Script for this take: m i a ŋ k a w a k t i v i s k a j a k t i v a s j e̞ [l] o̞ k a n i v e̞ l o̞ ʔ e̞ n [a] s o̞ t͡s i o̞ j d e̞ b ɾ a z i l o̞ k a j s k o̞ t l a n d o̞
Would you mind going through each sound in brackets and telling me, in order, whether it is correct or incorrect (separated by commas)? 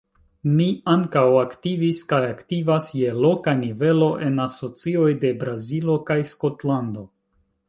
correct, correct